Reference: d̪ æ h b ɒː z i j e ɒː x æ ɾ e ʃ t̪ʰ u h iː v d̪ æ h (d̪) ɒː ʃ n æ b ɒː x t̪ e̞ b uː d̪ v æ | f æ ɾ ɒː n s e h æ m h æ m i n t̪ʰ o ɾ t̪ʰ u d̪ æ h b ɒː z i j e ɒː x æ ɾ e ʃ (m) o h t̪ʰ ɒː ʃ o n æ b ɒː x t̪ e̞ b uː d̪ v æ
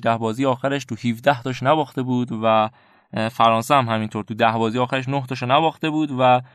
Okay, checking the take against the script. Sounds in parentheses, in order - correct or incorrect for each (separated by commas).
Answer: incorrect, incorrect